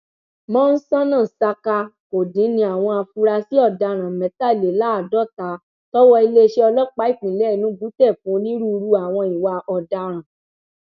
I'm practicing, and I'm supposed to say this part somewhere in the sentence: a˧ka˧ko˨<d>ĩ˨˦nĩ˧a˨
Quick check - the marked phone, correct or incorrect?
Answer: correct